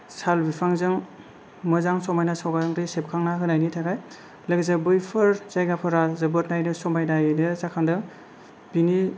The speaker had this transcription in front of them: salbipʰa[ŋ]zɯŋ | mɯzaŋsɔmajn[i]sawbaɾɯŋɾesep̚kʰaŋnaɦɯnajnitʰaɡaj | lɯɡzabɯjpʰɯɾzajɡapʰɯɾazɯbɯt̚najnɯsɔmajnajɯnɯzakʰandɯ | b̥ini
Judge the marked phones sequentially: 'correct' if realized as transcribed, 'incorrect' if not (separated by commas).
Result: correct, incorrect